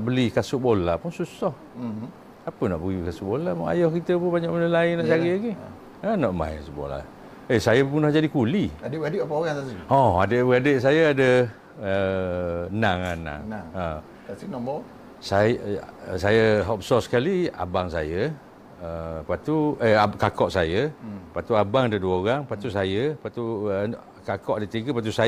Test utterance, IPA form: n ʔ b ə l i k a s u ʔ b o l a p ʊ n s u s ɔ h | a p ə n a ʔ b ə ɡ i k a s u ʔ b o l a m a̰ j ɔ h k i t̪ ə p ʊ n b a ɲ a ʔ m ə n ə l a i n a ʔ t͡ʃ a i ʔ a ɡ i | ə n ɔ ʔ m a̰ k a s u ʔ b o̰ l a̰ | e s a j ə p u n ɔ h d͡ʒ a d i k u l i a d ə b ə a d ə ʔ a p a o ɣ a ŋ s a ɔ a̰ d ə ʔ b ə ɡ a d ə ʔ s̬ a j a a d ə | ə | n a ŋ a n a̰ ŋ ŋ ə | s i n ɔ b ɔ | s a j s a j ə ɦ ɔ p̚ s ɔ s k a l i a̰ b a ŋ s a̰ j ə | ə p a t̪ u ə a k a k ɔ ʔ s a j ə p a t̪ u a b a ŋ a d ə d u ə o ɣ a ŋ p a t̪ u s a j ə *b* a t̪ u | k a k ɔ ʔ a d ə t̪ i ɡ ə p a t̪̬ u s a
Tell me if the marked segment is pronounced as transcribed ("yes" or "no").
no